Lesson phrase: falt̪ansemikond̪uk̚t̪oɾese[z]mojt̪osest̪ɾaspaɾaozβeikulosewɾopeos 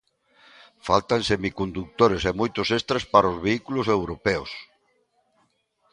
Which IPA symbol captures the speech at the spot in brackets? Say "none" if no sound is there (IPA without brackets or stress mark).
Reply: none